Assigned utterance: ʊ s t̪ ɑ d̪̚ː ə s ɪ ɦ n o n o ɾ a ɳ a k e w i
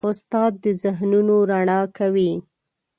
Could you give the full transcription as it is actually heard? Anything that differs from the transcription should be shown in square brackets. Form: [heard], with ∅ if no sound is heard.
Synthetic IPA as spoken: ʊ s t̪ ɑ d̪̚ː ə [z] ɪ ɦ n [u] n o ɾ a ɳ [ɑ] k [a] w i